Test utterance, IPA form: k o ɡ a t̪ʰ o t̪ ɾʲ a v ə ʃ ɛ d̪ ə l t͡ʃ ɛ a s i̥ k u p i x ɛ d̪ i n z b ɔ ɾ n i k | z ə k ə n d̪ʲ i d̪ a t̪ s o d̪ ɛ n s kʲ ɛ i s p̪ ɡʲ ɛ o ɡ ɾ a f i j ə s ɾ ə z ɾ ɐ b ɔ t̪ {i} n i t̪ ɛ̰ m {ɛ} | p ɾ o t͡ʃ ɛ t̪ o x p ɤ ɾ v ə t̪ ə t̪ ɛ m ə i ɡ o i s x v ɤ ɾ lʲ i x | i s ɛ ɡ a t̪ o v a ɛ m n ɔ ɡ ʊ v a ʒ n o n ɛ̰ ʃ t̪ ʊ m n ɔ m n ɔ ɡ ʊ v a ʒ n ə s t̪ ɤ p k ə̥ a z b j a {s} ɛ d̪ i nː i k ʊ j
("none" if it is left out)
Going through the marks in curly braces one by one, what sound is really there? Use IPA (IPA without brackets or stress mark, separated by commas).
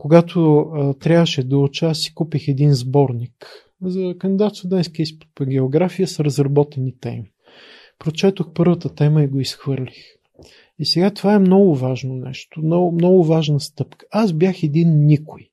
ɛ, i, x